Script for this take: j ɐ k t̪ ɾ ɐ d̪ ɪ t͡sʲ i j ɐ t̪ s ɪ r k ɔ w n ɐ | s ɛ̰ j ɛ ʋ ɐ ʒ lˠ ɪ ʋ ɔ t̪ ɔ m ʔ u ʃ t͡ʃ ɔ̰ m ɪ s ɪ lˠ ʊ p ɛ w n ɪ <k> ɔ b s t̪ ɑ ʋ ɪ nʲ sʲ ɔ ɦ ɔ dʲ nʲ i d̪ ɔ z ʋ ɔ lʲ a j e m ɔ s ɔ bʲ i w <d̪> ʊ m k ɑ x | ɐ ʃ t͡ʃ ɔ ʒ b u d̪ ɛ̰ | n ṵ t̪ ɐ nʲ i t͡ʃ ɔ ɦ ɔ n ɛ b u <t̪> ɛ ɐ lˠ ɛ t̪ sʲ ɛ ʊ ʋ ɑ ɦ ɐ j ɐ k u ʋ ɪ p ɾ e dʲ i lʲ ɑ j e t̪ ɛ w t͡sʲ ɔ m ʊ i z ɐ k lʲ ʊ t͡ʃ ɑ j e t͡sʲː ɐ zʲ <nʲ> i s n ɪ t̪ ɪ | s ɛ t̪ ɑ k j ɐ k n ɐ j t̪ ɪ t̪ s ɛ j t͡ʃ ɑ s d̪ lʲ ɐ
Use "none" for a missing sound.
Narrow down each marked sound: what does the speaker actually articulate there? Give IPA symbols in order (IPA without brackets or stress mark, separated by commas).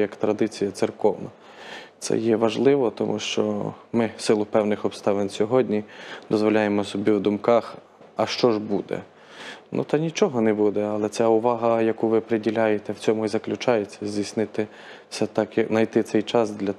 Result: x, d̪, d̪, dʲ